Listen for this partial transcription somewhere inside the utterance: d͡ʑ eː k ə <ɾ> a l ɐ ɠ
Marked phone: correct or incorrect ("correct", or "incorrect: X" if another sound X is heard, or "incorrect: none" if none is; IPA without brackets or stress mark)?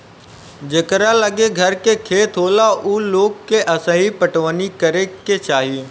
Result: correct